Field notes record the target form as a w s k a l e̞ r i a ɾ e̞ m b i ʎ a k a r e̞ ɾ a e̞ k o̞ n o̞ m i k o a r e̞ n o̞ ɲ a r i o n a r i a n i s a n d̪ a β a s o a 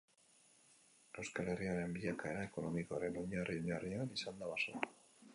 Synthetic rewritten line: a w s k a l e̞ r i a ɾ e̞ m b i ʎ a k a e̞ ɾ a e̞ k o̞ n o̞ m i k o a ɾ e̞ n o̞ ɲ a r i o ɲ a r i a n i s a n d̪ a β a s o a